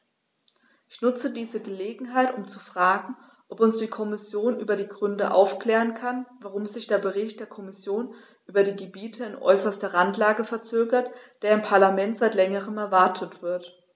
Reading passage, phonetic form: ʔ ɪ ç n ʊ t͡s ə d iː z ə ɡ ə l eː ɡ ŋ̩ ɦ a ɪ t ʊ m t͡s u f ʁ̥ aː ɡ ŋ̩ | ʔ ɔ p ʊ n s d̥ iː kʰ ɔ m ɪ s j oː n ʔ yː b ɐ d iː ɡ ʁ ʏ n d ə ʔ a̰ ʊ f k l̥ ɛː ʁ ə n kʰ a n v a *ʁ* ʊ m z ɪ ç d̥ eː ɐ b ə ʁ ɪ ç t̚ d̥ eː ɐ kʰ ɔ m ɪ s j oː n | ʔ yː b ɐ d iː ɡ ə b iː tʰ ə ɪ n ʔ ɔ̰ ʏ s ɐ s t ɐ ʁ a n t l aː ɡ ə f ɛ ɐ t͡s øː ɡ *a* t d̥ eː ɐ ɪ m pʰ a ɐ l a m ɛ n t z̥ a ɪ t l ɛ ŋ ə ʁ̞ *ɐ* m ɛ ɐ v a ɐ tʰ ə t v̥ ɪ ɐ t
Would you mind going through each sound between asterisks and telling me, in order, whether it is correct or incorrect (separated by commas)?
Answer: correct, incorrect, incorrect